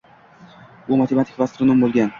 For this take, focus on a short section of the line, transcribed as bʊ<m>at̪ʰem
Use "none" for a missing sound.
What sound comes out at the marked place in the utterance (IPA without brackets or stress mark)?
m